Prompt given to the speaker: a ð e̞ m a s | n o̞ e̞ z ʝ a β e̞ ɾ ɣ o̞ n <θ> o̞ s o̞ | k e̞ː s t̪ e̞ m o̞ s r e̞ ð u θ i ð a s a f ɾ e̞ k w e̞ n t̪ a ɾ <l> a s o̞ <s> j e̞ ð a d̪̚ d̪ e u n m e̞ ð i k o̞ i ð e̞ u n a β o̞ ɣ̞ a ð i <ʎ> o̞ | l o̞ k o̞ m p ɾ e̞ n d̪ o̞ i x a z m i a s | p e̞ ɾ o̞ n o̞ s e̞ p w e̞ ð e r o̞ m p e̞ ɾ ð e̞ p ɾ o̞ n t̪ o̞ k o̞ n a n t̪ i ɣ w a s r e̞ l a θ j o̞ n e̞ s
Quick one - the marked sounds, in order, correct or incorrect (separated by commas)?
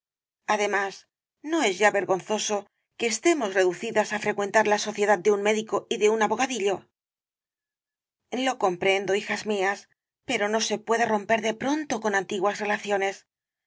correct, correct, incorrect, correct